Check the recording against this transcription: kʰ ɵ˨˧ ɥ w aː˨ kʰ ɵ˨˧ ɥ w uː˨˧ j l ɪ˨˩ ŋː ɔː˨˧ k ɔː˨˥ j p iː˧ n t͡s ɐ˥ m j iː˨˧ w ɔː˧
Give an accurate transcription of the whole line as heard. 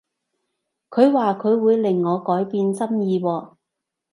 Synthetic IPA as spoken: kʰ ɵ˨˧ ɥ w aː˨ kʰ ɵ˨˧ ɥ w uː˨˧ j l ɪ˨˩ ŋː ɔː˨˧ k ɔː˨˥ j p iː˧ n t͡s ɐ˥ m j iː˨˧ w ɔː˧